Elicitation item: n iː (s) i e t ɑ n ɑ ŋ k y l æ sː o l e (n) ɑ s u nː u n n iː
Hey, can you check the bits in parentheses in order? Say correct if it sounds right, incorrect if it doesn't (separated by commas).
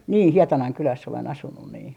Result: incorrect, correct